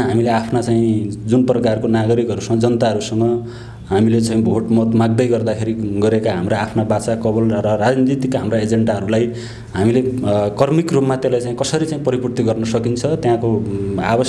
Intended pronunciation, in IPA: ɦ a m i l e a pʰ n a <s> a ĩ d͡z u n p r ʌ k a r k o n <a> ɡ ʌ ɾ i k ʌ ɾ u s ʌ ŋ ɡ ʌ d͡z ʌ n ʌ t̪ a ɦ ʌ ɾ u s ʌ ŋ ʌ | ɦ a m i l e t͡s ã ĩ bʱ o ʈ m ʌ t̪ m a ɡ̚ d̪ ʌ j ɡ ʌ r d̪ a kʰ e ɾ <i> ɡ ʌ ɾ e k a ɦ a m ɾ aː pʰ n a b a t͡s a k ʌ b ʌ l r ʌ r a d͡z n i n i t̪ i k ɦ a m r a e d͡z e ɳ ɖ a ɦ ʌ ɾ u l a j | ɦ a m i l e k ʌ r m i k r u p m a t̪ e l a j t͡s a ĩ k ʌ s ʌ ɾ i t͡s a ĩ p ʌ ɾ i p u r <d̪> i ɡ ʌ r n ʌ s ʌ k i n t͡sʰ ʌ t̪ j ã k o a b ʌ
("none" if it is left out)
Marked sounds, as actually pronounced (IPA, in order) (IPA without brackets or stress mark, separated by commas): t͡s, a, i, t̪